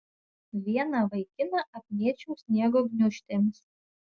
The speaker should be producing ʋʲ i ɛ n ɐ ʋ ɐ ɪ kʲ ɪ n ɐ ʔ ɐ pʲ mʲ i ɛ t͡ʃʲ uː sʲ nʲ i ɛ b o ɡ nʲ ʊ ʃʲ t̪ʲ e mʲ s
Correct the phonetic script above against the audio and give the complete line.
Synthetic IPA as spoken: ʋʲ i ɛ n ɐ ʋ ɐ ɪ kʲ ɪ n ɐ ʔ ɐ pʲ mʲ i ɛ t͡ʃʲ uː sʲ nʲ i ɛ ɡ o ɡ nʲ ʊ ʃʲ t̪ʲ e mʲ s